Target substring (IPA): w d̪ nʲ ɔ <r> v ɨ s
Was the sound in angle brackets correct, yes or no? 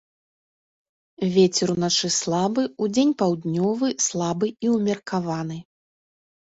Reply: no